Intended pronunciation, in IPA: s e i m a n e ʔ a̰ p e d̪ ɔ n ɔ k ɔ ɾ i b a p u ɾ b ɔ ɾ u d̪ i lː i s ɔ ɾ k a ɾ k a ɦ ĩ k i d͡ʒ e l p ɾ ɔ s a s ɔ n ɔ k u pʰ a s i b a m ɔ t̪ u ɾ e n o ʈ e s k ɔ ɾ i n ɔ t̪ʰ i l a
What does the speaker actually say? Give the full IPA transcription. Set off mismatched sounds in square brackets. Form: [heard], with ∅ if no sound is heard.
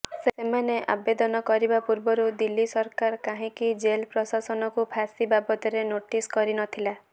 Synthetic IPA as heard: s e [e] m a n e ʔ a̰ [b] e d̪ ɔ n ɔ k ɔ ɾ i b a p u ɾ b ɔ ɾ u d̪ i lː i s ɔ ɾ k a ɾ k a ɦ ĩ k i d͡ʒ e l p ɾ ɔ s a s ɔ n ɔ k u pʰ a s i b a [b] ɔ t̪ [ɔ] ɾ e n o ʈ [i] s k ɔ ɾ i n ɔ t̪ʰ i l a